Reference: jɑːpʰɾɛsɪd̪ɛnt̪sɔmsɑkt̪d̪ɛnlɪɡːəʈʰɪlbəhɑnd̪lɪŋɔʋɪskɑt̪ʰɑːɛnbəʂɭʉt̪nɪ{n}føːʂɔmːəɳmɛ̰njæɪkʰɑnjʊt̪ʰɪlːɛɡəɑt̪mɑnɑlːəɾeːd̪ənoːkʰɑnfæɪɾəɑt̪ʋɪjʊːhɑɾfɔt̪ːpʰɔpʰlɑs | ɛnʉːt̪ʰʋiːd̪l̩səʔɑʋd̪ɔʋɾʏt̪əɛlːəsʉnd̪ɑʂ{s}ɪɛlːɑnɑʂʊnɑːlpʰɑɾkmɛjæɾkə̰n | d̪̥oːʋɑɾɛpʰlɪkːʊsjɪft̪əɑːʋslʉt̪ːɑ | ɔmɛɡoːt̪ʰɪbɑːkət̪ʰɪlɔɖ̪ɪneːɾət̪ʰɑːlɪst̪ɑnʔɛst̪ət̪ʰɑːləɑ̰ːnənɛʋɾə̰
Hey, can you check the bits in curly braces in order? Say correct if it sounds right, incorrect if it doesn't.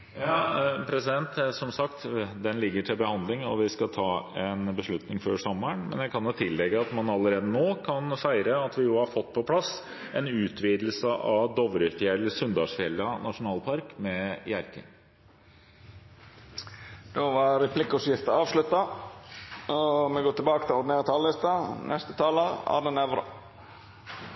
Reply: incorrect, incorrect

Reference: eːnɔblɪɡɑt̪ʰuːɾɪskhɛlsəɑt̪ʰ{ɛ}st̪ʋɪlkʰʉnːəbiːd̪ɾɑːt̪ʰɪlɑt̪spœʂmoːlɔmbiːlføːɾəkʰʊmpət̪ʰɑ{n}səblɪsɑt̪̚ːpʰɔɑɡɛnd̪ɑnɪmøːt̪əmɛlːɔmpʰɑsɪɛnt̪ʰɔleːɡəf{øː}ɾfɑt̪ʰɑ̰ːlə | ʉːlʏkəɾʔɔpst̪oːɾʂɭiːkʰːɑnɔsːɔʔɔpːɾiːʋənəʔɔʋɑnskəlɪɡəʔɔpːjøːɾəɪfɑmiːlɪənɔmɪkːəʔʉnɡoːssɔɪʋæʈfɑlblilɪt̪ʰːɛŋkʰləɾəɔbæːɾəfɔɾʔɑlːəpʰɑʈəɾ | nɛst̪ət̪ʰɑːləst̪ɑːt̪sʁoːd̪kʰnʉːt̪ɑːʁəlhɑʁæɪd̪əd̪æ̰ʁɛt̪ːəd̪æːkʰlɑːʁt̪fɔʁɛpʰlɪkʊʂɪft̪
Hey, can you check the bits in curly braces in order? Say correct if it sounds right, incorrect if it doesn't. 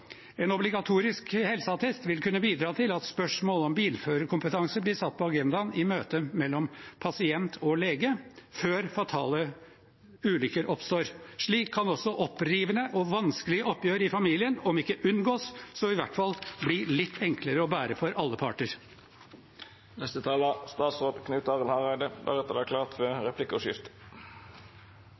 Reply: correct, incorrect, correct

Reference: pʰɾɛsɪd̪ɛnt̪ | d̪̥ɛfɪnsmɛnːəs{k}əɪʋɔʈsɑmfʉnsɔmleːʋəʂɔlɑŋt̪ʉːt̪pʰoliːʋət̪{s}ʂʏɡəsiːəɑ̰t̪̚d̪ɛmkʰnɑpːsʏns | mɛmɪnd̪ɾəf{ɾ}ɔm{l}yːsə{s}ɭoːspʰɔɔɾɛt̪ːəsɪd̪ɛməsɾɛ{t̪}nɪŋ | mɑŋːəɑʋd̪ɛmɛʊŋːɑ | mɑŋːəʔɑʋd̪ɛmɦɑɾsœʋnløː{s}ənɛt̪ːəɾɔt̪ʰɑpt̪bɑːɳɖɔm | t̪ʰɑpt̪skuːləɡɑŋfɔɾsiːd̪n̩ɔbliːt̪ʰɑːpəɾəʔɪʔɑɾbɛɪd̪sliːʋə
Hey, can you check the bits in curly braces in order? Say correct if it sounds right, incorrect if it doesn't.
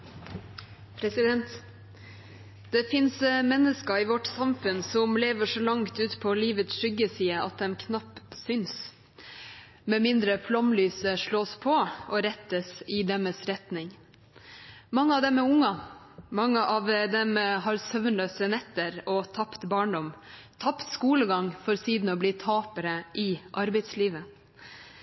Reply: correct, correct, incorrect, correct, incorrect, correct, correct

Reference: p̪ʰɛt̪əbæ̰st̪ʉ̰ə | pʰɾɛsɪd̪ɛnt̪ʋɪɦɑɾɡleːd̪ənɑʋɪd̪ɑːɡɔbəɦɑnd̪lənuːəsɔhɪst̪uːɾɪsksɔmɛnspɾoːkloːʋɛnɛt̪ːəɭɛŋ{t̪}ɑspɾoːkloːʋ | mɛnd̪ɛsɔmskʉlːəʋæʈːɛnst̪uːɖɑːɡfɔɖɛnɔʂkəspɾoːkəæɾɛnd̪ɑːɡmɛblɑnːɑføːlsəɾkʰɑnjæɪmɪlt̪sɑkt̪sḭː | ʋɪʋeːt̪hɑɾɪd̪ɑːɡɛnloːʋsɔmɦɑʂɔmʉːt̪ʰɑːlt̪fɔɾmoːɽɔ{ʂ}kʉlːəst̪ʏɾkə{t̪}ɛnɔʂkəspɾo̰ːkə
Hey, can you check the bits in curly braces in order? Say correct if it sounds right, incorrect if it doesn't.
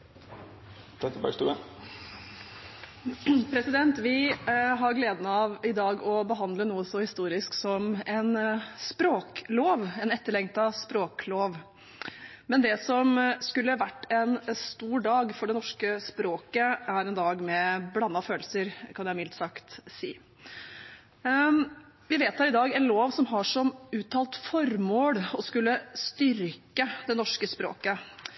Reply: correct, incorrect, incorrect

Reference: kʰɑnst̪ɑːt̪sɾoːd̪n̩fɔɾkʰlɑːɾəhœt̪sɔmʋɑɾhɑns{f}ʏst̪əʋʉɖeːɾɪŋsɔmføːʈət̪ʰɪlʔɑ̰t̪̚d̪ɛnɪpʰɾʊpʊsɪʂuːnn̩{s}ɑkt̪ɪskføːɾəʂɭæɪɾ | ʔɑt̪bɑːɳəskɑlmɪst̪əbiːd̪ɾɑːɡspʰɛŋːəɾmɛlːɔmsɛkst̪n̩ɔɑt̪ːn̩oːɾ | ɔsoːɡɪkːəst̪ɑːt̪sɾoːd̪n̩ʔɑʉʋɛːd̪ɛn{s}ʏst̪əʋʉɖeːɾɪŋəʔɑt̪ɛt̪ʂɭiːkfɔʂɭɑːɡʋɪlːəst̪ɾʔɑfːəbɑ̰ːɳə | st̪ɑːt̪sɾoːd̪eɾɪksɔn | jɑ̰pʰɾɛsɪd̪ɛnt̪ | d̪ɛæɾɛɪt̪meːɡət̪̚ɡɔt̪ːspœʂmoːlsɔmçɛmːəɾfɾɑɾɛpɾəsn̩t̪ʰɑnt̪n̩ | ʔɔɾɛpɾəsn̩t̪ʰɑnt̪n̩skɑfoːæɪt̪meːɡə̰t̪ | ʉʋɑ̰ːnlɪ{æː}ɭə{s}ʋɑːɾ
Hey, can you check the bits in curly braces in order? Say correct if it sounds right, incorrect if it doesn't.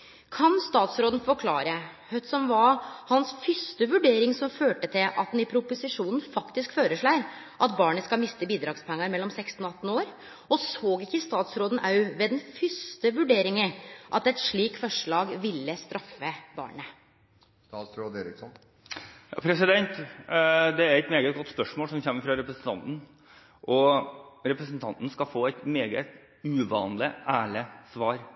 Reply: correct, incorrect, incorrect, correct, correct

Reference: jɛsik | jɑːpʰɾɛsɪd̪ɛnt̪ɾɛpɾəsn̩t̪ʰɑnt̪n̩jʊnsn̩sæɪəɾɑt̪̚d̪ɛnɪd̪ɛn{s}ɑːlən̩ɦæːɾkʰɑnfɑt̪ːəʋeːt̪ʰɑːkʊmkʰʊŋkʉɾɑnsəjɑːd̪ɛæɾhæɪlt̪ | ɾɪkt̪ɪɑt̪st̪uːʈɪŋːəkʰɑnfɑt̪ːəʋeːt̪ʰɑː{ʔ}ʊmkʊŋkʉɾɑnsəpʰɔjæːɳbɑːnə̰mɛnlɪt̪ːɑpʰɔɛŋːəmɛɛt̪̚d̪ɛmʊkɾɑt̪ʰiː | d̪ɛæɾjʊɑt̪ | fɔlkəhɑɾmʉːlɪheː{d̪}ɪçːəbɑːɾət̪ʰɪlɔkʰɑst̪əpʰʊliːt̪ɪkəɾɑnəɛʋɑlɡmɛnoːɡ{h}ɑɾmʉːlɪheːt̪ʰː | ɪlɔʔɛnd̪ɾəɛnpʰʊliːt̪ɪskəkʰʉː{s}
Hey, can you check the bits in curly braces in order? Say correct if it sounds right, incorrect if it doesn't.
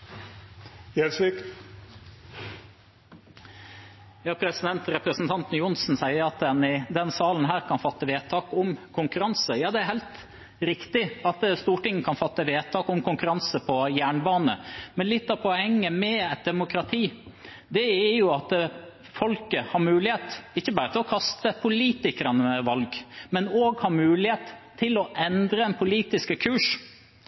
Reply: correct, incorrect, incorrect, correct, incorrect

